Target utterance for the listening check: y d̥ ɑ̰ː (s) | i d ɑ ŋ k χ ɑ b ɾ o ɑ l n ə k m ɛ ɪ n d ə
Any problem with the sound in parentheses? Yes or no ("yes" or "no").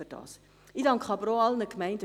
no